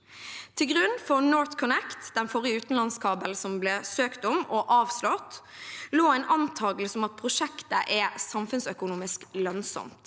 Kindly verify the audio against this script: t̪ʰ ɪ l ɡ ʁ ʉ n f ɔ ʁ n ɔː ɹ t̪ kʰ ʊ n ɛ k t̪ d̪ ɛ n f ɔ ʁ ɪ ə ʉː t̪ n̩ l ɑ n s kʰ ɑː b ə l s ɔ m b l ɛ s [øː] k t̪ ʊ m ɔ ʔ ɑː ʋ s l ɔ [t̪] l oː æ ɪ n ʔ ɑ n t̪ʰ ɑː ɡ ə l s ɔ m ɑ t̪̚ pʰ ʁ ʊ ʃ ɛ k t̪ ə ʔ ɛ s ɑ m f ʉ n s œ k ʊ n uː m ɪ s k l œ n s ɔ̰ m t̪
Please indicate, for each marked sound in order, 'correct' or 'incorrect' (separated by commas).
correct, correct